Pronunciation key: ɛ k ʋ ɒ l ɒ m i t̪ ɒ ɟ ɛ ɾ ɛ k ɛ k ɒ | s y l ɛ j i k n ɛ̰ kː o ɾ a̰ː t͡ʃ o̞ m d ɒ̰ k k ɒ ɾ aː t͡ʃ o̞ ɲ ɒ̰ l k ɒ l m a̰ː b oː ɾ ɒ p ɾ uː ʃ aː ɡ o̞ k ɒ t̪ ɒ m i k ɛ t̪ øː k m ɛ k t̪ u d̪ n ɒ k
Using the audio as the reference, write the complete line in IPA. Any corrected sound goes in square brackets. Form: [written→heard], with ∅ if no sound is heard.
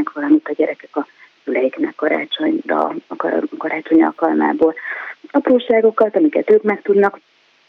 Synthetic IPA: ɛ k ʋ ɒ l ɒ m i t̪ ɒ ɟ ɛ ɾ ɛ k ɛ k ɒ | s y l ɛ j i k n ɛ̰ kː [o→ɒ] ɾ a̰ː t͡ʃ o̞ [m→ɲ] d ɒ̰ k k ɒ ɾ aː t͡ʃ o̞ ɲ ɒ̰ l k ɒ l m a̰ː b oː [ɾ→l] ɒ p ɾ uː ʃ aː ɡ o̞ k ɒ t̪ ɒ m i k ɛ t̪ øː k m ɛ k t̪ u d̪ n ɒ k